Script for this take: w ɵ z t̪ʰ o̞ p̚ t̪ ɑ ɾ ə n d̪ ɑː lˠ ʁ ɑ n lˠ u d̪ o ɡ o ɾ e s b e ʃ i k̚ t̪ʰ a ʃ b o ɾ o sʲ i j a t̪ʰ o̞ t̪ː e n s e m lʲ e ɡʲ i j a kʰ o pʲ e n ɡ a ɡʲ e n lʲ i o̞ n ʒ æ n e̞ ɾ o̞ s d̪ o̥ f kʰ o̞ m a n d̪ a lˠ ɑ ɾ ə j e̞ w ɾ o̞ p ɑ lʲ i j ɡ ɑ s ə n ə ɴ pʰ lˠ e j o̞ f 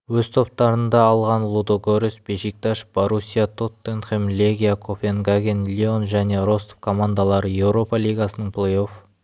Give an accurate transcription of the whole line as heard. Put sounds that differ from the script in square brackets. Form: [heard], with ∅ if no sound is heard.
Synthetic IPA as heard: w ɵ z t̪ʰ o̞ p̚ t̪ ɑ ɾ ə n d̪ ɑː lˠ ʁ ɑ n lˠ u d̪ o ɡ o ɾ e s b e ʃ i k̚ [t̪] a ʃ b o ɾ [u] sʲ i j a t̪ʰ o̞ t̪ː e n [χ] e m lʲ e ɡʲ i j a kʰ o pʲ e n ɡ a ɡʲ e n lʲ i o̞ n ʒ æ n e̞ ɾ o̞ s [t̪] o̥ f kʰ o̞ m a n d̪ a lˠ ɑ ɾ ə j e̞ w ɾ o̞ p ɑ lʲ i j ɡ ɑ s ə n ə ɴ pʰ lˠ e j o̞ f